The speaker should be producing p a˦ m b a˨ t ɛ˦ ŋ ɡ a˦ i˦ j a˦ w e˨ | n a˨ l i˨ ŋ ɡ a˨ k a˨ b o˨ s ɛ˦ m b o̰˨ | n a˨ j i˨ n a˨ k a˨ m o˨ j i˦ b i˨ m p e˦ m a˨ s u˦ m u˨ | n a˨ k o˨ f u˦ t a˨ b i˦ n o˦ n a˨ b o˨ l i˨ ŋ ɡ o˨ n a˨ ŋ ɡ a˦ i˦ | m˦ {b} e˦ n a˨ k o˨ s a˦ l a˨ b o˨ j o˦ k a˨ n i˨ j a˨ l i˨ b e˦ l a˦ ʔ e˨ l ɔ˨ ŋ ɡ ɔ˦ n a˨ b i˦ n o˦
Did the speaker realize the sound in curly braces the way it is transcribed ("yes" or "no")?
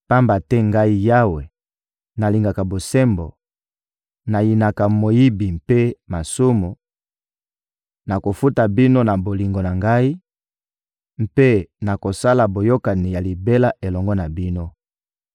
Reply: no